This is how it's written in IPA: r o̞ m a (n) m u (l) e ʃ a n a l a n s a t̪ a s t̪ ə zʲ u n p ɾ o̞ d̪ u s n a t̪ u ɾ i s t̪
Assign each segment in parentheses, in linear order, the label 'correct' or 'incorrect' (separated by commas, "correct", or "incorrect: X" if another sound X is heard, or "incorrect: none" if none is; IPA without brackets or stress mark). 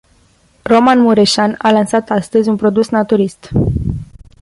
correct, incorrect: ɾ